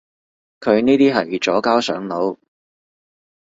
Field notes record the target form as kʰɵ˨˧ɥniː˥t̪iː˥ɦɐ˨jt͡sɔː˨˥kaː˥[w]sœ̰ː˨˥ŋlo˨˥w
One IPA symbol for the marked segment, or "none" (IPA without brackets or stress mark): w